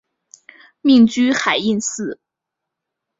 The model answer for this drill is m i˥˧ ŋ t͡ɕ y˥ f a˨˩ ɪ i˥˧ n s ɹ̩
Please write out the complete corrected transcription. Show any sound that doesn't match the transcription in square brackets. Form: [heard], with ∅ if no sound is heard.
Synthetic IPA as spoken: m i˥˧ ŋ t͡ɕ y˥ [x] a˨˩ ɪ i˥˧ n s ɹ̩